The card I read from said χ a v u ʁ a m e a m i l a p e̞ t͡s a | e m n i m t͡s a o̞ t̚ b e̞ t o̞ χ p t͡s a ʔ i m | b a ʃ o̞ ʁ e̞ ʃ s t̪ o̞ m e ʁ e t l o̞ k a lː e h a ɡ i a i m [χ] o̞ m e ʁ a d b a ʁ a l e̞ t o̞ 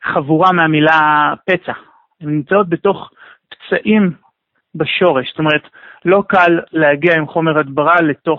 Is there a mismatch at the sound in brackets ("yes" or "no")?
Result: no